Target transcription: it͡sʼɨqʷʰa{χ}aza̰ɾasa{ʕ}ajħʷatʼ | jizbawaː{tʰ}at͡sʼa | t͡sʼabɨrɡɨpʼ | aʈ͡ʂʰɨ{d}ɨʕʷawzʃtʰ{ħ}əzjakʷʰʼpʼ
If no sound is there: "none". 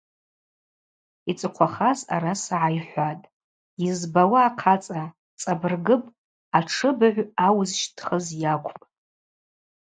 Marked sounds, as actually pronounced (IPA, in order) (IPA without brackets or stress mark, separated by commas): χ, ʕ, qʰ, b, χ